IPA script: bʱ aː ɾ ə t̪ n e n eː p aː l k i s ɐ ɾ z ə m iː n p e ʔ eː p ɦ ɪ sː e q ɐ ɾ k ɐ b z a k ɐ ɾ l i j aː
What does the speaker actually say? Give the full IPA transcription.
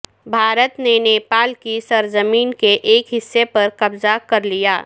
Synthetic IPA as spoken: bʱ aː ɾ ə t̪ n e n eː p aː l k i s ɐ ɾ z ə m iː n k e ʔ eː k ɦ ɪ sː e p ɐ ɾ k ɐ b z a k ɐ ɾ l i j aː